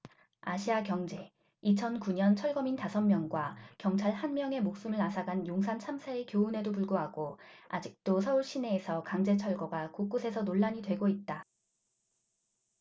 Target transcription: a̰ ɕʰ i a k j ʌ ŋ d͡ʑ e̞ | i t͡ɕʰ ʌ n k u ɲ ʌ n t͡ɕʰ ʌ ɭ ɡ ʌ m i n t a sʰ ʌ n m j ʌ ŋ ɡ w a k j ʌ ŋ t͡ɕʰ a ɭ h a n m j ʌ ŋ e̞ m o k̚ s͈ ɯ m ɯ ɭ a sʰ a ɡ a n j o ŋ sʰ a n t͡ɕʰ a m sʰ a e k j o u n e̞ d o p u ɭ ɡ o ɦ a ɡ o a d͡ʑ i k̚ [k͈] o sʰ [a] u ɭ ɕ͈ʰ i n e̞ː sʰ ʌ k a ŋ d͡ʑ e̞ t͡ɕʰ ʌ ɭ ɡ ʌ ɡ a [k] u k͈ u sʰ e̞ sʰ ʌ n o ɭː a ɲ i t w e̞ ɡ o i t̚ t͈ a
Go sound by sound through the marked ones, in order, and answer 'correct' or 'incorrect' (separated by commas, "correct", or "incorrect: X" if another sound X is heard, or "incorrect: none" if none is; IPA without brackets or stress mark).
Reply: incorrect: t͈, incorrect: ʌ, correct